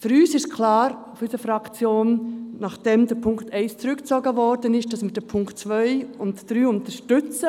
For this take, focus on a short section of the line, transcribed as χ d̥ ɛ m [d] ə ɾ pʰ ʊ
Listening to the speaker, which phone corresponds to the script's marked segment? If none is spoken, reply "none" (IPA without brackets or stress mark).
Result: d